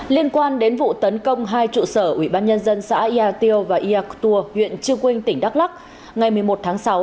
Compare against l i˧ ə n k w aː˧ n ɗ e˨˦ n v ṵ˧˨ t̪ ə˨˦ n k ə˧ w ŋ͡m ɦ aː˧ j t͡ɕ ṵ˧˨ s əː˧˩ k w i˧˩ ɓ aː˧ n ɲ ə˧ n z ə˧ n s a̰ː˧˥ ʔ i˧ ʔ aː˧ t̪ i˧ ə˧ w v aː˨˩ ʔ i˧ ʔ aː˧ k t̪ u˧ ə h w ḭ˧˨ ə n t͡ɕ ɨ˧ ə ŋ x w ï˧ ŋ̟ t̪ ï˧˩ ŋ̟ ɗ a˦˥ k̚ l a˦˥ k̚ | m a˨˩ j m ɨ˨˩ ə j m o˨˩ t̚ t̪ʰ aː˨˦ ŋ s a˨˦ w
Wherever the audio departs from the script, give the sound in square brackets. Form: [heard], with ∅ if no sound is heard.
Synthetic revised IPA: l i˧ ə n k w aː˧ n ɗ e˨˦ n v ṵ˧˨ t̪ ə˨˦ n k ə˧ w ŋ͡m ɦ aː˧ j t͡ɕ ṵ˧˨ s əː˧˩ [ʔ] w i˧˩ ɓ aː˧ n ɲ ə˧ n z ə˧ n s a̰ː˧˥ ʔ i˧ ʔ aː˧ t̪ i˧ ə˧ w v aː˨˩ ʔ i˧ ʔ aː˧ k t̪ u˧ ə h w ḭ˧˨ ə n t͡ɕ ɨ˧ ə ŋ [k] w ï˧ ŋ̟ t̪ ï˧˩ ŋ̟ ɗ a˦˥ k̚ l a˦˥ k̚ | [ŋ] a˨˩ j m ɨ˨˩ ə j m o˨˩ t̚ t̪ʰ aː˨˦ ŋ s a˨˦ w